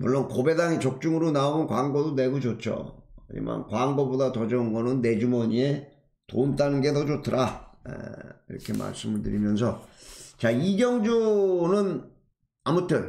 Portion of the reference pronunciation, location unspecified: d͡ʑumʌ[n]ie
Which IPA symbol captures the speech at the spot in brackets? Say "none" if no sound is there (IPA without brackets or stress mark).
ɲ